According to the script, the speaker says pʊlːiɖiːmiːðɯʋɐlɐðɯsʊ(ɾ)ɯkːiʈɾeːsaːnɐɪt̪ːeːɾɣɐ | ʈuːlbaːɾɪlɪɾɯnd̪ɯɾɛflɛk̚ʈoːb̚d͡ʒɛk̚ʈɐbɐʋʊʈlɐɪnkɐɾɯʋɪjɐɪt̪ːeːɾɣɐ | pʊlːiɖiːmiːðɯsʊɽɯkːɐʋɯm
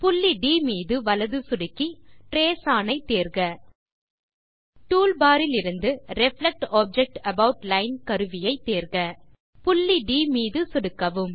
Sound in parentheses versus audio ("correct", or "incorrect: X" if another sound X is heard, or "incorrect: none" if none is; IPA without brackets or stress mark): incorrect: ɽ